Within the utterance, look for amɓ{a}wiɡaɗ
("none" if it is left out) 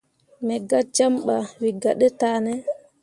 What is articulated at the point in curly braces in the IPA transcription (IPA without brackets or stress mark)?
a